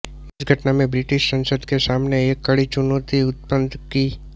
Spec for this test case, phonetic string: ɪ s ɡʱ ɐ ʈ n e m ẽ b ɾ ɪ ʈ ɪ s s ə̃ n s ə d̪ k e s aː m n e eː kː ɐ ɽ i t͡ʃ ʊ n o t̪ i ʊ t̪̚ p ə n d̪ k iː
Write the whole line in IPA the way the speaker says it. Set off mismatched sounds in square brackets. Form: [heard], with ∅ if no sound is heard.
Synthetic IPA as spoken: ɪ s ɡʱ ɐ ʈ n [a] m ẽ b ɾ ɪ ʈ ɪ [ʃ] s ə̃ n s ə d̪ k e s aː m n e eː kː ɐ ɽ i t͡ʃ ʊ n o t̪ i ʊ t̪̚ p ə n d̪ k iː